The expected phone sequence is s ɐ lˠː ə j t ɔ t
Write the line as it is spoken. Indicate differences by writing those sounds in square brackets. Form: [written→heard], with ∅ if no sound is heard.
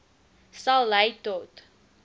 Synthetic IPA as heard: s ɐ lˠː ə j t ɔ t